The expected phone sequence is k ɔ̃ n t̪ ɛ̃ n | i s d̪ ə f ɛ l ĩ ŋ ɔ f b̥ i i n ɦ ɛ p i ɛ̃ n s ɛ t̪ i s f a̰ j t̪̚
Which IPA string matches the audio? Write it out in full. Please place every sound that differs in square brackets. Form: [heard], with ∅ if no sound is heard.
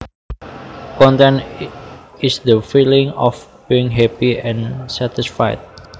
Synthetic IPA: k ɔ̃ n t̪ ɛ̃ n | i s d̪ ə f [i] l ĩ ŋ ɔ f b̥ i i [ŋ] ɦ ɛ p i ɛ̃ n s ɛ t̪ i s f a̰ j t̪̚